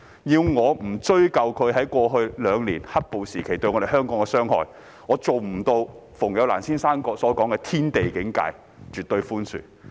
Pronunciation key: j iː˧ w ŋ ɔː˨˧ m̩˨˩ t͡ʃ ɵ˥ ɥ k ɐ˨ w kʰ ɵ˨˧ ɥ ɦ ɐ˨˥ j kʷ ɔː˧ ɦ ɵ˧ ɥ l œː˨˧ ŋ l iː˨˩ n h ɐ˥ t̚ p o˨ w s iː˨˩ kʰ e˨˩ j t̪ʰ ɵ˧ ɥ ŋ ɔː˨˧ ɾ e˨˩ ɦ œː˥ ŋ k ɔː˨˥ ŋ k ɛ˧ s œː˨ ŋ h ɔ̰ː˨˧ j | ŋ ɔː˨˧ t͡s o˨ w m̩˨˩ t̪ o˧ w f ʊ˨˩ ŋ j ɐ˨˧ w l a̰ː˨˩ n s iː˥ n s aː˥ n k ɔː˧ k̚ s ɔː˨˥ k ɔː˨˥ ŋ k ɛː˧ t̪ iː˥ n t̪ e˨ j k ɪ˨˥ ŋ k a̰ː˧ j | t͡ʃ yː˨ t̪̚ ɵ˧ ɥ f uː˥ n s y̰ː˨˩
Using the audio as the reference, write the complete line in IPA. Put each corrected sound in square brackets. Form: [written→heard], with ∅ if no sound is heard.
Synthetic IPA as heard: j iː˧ w ŋ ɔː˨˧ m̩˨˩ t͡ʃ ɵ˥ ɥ k ɐ˨ w kʰ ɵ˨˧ ɥ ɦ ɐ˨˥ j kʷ ɔː˧ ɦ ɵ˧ ɥ l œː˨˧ ŋ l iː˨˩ n h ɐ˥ t̚ p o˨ w s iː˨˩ kʰ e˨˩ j [t̪ʰ→t̪] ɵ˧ ɥ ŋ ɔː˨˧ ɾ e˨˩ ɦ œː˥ ŋ k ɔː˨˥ ŋ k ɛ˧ s [œː˨→œː˥] ŋ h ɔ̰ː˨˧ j | ŋ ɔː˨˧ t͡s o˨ w m̩˨˩ t̪ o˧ w f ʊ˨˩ ŋ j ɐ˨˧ w l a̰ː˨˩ n s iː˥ n s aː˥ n k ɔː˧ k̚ s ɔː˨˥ k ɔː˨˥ ŋ k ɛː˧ [t̪→t̪ʰ] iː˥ n t̪ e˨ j k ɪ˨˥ ŋ k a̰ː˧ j | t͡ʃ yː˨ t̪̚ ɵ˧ ɥ f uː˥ n s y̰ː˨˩